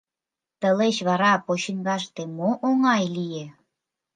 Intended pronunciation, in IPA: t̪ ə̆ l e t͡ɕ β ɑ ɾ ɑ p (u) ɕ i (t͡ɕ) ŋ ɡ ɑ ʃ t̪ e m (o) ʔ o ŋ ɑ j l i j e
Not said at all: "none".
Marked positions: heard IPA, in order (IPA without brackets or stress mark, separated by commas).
o, none, o